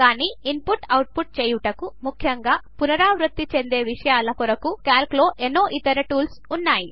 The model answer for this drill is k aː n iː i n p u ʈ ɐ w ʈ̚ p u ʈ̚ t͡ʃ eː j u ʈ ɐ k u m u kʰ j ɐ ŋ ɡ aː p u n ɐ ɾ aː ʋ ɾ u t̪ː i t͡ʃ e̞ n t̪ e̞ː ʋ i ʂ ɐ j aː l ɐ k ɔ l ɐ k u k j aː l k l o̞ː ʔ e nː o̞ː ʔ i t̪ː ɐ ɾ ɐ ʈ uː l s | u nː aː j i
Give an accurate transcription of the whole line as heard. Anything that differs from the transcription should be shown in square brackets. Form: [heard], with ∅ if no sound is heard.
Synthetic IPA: k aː n iː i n p u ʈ ɐ w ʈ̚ p u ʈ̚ t͡ʃ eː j u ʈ ɐ k u m u kʰ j ɐ ŋ ɡ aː p u n ɐ ɾ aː ʋ ɾ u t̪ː i t͡ʃ e̞ n [d̪] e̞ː ʋ i ʂ ɐ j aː l ɐ k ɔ [ɾ] ɐ k u k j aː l k l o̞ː ʔ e nː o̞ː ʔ i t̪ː ɐ ɾ ɐ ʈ uː l s | u nː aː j i